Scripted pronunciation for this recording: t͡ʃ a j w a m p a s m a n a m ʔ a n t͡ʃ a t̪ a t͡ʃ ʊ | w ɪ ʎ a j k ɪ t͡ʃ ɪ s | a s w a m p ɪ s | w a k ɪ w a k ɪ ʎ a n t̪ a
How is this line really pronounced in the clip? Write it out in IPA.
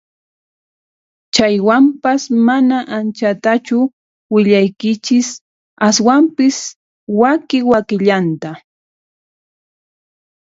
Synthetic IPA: t͡ʃ a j w a m p a s m a n a ʔ a n t͡ʃ a t̪ a t͡ʃ ʊ | w ɪ ʎ a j k ɪ t͡ʃ ɪ s | a s w a m p ɪ s | w a k ɪ w a k ɪ ʎ a n t̪ a

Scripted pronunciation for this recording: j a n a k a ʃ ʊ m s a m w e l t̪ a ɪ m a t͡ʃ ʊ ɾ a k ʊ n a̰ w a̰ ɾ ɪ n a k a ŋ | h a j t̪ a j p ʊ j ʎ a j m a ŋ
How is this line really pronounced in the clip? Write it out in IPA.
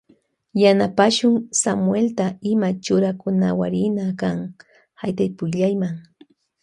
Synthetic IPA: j a n a p a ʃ ʊ ŋ s a m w e l t̪ a ɪ m a t͡ʃ ʊ ɾ a k ʊ n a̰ w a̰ ɾ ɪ n a k a ŋ | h a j t̪ a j p ʊ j ʎ a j m a ŋ

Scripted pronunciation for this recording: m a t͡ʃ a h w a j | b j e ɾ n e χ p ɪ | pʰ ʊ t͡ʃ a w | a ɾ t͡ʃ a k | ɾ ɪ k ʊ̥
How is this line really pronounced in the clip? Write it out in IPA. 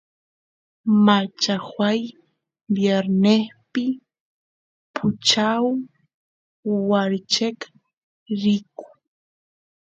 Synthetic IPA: m a t͡ʃ a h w a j | b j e ɾ n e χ p ɪ | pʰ ʊ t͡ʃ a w | a ɾ t͡ʃ e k | ɾ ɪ k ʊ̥

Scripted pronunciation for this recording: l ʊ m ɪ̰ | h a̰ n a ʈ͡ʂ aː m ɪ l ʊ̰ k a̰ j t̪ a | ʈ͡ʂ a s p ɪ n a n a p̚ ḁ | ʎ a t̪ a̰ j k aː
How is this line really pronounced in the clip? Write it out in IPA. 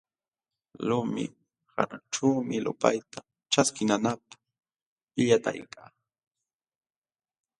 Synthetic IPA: l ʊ m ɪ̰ | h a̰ n a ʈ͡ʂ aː m ɪ l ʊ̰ p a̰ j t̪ a | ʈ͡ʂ a s k ɪ n a n a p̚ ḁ | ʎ a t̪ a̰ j k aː

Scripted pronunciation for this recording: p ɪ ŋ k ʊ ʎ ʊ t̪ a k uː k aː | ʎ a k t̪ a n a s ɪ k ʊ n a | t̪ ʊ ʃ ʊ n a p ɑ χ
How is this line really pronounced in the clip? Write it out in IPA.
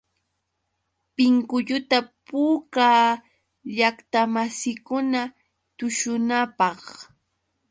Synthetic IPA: p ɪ ŋ k ʊ ʎ ʊ t̪ a p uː k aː | ʎ a k t̪ a m a s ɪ k ʊ n a | t̪ ʊ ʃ ʊ n a p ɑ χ

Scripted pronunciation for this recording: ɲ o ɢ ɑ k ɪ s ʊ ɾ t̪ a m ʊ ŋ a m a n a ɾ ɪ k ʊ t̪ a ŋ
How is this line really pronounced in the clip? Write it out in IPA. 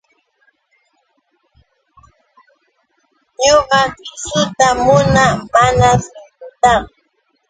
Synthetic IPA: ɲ o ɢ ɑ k ɪ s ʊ t̪ a m ʊ n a m a n a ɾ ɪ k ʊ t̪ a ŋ

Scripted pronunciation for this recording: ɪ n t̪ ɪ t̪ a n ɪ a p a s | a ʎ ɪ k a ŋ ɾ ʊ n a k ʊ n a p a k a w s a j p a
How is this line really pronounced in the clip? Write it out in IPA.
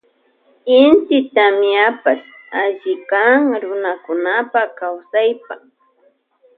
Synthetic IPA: ɪ n t̪ ɪ t̪ a m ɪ a p a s | a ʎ ɪ k a ŋ ɾ ʊ n a k ʊ n a p a k a w s a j p a

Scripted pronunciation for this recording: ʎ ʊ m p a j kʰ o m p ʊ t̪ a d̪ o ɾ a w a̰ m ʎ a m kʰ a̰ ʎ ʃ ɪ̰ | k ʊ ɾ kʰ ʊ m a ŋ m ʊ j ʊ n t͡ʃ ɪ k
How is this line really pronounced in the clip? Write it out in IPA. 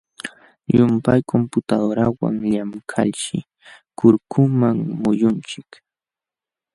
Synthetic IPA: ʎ ʊ m p a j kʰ o m p ʊ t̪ a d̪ o ɾ a w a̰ ŋ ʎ a m kʰ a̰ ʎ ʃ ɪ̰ | k ʊ ɾ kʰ ʊ m a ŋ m ʊ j ʊ n t͡ʃ ɪ k

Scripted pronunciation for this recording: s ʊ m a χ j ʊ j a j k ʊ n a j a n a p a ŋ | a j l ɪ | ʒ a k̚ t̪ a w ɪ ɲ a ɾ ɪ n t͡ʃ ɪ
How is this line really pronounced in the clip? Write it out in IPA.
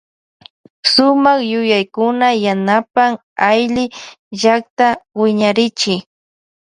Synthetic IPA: s ʊ m a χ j ʊ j a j k ʊ n a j a n a p a ŋ | a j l ɪ | ʒ a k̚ t̪ a w ɪ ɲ a ɾ ɪ t͡ʃ ɪ

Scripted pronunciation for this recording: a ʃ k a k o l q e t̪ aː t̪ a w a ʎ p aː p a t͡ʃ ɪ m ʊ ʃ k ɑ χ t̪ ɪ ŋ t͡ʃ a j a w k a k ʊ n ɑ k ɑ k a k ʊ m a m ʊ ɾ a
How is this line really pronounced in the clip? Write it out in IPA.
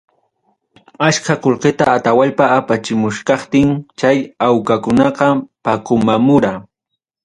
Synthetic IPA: a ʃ k a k o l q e t̪ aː t̪ a w a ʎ p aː p a t͡ʃ ɪ m ʊ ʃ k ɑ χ t̪ ɪ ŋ t͡ʃ a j a w k a k ʊ n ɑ q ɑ p a k ʊ m a m ʊ ɾ a

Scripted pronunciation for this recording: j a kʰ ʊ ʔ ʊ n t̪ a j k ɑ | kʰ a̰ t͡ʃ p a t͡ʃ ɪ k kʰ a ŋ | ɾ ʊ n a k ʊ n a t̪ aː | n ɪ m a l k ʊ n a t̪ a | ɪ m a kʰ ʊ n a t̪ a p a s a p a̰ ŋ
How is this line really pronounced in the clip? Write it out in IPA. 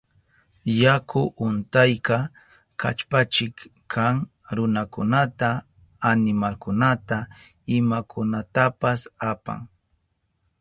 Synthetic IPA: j a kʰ ʊ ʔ ʊ n t̪ a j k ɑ | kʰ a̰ t͡ʃ p a t͡ʃ ɪ k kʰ a ŋ | ɾ ʊ n a k ʊ n a t̪ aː | n ɪ m a l k ʊ n a t̪ a | ɪ m a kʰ ʊ n a t̪ a p a s a p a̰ ŋ

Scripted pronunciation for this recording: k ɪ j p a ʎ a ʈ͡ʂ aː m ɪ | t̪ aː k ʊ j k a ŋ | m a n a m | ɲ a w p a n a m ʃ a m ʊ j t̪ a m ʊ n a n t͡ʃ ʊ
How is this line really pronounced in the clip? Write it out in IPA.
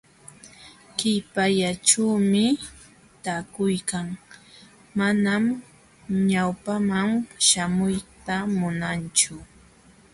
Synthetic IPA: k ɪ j p a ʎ a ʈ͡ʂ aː m ɪ | t̪ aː k ʊ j k a ŋ | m a n a m | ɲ a w p a m a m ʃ a m ʊ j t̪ a m ʊ n a n t͡ʃ ʊ

